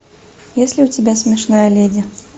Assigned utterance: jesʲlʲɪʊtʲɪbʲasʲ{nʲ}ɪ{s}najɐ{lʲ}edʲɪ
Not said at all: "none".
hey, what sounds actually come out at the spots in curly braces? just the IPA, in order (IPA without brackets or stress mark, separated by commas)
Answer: mʲ, ʂ, lʲ